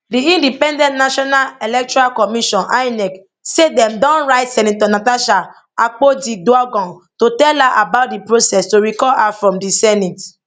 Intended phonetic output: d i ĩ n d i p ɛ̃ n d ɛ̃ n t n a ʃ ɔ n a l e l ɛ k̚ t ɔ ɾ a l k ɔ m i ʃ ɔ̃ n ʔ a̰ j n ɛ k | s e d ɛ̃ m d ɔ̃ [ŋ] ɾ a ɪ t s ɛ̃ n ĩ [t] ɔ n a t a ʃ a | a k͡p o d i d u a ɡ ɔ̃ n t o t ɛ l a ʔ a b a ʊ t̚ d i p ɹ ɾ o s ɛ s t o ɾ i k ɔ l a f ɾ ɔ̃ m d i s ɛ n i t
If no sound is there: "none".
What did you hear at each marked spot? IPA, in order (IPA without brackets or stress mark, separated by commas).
n, t